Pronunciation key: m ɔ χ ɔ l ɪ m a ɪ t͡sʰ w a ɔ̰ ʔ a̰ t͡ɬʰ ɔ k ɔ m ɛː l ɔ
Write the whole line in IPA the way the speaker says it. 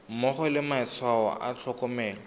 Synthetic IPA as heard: m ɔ χ ɔ l ɪ m a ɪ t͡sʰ w a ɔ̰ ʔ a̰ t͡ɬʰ ɔ k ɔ m ɛː l ɔ